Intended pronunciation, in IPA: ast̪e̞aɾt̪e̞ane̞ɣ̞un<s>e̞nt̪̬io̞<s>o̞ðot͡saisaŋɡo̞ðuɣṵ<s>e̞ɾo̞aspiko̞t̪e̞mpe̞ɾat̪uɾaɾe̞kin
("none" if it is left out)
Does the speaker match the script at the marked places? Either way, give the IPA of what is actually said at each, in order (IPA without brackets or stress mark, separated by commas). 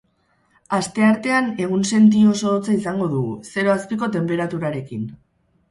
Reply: s, s, s